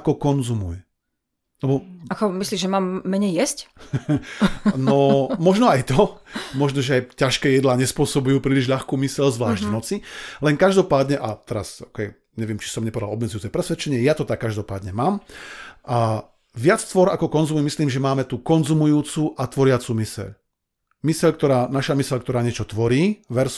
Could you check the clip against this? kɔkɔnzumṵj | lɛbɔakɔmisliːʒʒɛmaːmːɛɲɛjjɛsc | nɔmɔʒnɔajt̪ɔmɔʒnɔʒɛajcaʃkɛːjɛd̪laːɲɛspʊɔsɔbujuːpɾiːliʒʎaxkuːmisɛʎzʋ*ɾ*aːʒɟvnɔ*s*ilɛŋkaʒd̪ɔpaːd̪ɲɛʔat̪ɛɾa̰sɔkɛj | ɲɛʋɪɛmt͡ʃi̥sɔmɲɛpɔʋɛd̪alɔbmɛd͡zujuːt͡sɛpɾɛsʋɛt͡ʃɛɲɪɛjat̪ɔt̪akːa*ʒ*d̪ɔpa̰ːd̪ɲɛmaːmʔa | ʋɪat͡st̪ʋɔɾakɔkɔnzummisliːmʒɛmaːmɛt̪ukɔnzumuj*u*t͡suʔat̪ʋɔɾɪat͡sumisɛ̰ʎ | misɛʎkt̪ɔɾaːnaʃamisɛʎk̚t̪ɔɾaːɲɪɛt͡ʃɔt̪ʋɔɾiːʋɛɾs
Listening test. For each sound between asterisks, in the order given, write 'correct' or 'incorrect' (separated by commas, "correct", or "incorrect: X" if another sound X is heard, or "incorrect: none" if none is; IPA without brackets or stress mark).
incorrect: l, incorrect: t͡s, correct, incorrect: uː